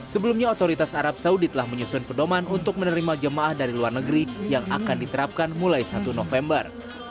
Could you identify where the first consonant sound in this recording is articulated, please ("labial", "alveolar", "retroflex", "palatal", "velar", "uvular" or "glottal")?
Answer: alveolar